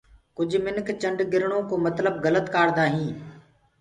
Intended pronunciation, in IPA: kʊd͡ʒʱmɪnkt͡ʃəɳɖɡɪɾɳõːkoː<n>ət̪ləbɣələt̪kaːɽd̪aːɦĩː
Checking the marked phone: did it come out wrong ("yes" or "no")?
yes